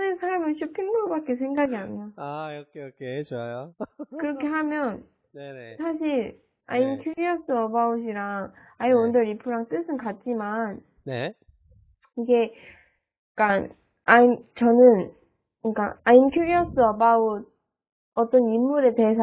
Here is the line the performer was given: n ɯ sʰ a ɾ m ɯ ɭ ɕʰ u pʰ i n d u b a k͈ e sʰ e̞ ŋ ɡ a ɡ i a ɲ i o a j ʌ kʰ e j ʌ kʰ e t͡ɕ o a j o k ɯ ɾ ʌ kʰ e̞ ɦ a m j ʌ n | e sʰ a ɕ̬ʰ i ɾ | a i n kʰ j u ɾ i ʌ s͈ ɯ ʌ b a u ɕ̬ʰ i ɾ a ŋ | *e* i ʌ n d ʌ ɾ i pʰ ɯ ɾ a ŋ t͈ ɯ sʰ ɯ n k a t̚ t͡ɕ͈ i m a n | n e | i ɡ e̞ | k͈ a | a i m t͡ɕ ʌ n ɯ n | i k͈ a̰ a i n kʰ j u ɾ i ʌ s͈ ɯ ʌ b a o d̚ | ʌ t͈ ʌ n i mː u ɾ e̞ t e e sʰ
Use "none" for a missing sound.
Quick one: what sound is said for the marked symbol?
a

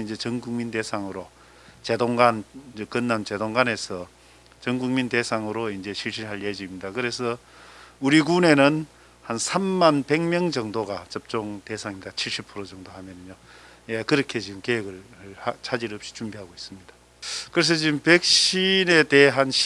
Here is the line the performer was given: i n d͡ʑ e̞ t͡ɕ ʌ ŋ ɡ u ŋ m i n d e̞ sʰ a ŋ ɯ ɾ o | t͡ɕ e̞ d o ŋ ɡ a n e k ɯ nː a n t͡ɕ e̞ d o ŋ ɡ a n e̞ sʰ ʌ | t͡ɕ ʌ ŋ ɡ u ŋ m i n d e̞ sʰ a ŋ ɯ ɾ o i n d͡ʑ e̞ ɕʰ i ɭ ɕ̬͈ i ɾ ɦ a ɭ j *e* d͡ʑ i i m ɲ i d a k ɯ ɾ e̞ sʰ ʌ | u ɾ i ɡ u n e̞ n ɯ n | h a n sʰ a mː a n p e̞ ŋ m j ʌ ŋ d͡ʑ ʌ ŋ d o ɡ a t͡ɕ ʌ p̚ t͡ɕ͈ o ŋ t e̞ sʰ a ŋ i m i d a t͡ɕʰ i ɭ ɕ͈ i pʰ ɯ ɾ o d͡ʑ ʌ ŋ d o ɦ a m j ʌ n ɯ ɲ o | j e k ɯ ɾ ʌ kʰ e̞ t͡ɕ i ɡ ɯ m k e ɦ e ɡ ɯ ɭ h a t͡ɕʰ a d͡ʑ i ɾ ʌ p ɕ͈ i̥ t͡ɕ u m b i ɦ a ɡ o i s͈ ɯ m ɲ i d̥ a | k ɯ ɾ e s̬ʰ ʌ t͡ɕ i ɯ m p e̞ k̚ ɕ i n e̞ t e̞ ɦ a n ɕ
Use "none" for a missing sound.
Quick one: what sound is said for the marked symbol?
e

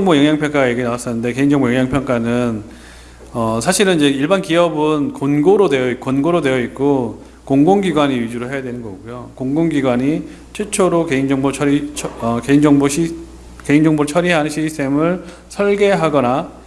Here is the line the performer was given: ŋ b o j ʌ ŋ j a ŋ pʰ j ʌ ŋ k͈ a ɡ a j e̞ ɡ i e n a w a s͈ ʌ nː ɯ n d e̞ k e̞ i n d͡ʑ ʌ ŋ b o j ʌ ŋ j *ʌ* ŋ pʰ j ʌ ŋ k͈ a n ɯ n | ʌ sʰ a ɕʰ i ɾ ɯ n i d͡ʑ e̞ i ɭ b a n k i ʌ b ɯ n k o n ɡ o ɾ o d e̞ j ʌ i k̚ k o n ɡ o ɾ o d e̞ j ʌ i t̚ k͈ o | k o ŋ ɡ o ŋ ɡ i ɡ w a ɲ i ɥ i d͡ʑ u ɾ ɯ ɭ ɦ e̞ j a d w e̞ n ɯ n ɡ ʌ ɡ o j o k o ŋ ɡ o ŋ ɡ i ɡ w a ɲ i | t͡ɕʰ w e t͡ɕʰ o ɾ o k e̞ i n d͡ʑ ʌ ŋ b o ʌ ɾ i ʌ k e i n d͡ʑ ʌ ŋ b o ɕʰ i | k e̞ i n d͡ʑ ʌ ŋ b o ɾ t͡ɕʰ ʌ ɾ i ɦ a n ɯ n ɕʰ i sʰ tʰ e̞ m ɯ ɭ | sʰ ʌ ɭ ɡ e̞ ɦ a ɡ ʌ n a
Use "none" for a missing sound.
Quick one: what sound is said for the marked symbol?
a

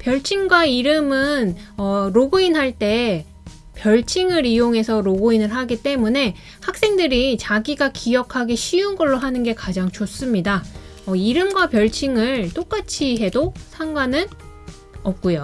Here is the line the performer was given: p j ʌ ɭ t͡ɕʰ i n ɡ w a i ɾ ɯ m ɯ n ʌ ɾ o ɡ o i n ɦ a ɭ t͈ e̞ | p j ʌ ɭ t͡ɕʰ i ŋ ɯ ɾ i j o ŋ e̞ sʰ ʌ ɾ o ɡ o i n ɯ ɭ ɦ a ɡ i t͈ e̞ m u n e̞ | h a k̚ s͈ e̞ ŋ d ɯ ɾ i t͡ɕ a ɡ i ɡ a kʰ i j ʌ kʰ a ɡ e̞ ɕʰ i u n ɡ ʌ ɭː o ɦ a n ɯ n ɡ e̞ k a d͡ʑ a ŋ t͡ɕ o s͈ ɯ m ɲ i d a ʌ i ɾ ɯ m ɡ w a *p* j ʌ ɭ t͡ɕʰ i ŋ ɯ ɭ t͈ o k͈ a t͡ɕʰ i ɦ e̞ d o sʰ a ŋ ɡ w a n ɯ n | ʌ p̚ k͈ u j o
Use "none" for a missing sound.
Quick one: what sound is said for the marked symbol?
p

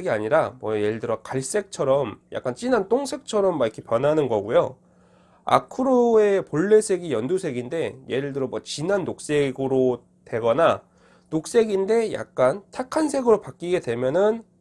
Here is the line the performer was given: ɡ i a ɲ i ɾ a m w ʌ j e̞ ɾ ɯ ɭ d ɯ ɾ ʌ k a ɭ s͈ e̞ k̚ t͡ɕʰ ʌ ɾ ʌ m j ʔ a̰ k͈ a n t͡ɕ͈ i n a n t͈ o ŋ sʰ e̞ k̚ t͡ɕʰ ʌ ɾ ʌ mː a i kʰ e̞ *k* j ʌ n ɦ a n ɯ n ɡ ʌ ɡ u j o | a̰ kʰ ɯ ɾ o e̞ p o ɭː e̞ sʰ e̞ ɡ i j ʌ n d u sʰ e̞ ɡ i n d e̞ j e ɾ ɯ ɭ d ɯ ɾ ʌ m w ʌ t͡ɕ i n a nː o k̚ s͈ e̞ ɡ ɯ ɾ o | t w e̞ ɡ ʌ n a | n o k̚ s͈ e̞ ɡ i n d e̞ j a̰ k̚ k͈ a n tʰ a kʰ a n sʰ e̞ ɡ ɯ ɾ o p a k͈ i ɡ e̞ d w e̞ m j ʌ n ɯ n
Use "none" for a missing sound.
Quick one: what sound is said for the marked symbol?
p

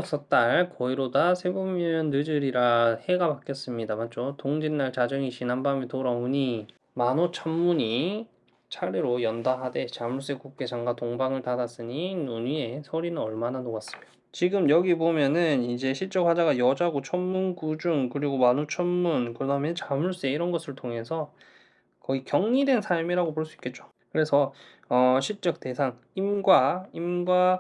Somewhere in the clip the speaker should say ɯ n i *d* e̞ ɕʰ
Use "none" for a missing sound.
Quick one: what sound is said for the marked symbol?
d͡ʑ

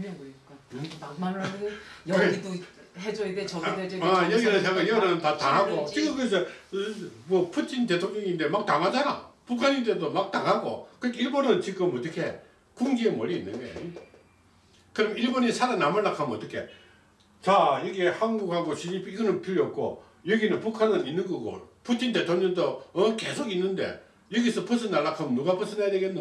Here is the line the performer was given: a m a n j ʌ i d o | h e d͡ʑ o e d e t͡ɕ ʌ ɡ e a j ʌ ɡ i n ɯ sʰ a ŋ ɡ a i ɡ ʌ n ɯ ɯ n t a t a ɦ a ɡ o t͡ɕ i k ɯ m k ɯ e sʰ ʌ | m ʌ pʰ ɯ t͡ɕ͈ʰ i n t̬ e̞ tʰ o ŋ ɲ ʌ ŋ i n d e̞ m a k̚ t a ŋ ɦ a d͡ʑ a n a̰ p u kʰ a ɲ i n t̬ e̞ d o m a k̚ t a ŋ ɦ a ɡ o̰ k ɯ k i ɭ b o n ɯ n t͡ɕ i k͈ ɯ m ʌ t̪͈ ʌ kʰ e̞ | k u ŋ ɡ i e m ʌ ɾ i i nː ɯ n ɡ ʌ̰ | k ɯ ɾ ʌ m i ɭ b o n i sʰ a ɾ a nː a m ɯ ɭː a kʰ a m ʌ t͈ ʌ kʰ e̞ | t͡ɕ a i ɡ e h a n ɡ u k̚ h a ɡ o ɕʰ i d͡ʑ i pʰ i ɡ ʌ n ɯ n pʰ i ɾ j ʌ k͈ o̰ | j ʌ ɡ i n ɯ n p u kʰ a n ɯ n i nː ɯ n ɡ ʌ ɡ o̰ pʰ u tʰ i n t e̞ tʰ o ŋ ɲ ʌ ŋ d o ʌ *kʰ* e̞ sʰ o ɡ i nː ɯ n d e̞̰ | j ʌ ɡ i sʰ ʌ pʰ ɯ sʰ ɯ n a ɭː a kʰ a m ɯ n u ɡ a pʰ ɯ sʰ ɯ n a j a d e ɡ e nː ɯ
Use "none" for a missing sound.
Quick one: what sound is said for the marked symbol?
k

